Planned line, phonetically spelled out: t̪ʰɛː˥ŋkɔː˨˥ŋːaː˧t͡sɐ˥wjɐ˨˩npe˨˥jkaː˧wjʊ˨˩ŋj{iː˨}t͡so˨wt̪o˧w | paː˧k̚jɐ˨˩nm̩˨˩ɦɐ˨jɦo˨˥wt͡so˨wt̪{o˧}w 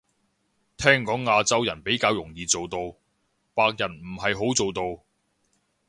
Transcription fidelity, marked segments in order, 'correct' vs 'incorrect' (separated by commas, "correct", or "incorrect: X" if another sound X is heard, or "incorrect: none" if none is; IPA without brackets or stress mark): correct, correct